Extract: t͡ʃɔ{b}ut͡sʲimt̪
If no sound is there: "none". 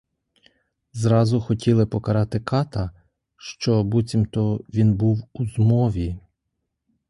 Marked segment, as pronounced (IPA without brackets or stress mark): b